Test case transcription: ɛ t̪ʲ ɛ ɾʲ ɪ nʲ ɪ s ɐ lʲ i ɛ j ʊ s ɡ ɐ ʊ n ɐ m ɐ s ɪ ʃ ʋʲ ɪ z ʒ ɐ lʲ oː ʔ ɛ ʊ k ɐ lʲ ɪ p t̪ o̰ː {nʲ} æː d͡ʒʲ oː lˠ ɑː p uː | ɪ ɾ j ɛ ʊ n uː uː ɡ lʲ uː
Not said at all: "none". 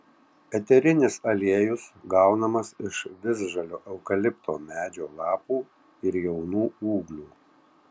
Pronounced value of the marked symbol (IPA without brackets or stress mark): mʲ